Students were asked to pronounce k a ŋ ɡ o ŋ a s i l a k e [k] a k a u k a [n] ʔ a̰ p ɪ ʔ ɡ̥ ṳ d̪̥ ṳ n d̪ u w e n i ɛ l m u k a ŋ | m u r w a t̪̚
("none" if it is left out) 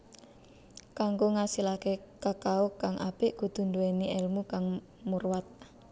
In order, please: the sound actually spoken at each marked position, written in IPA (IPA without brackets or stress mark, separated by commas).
k, ŋ